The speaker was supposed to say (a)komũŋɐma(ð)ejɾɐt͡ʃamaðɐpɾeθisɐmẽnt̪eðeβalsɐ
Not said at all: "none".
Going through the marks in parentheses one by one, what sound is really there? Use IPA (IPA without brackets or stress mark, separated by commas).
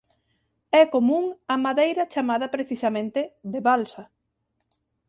ɛ, ð